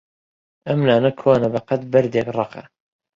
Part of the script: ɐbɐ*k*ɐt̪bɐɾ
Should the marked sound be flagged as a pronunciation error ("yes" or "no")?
yes